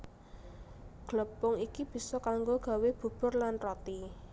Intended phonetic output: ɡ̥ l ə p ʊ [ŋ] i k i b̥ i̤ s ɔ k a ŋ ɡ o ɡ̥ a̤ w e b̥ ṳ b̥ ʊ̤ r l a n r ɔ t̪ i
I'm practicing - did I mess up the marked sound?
no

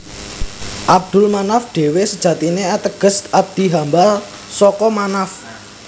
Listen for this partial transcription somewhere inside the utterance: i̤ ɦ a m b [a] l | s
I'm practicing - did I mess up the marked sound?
no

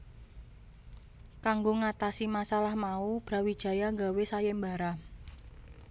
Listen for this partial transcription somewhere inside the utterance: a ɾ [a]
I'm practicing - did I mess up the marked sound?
no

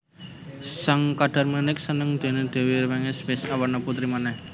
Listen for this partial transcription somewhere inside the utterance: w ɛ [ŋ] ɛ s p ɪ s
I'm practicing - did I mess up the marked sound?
no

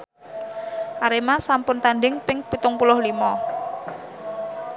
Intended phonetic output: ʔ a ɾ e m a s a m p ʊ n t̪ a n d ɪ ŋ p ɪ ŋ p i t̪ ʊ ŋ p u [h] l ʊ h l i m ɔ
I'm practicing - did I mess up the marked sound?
yes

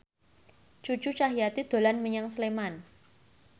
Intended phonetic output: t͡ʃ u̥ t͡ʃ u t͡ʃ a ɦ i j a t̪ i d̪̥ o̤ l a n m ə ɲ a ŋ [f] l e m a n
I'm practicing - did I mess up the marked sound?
yes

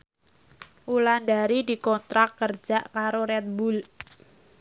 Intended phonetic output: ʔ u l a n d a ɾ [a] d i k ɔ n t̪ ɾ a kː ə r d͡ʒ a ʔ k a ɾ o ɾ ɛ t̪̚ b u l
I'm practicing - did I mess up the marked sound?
yes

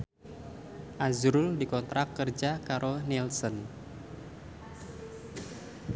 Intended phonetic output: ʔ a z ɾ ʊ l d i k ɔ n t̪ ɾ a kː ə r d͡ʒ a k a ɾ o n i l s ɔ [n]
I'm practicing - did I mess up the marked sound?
no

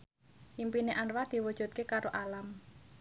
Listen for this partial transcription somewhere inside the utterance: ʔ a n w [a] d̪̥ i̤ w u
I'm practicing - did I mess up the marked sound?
no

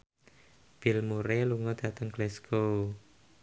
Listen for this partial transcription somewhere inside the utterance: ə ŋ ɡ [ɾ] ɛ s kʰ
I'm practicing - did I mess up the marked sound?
yes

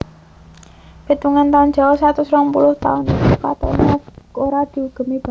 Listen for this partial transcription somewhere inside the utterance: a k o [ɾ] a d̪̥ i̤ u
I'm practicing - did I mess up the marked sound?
no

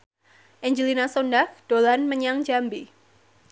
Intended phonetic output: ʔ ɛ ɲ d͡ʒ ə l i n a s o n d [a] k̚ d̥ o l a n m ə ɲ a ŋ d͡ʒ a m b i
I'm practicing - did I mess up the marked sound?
no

